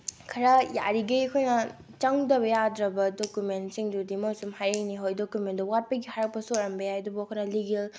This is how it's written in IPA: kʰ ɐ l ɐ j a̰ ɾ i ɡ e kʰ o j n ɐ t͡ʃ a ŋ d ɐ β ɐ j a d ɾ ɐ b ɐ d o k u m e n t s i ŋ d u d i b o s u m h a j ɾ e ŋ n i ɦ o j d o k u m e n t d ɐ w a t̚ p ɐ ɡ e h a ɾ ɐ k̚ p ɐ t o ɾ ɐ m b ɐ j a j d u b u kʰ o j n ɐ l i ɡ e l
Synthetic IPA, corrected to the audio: kʰ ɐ ɾ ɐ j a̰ ɾ i ɡ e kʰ o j n ɐ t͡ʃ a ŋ d ɐ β ɐ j a d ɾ ɐ b ɐ d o k u m e n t s i ŋ d u d i m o s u m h a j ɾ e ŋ n i ɦ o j d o k u m e n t d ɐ w a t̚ p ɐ ɡ i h a ɾ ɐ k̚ p ɐ s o ɾ ɐ m b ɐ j a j d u b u kʰ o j n ɐ l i ɡ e l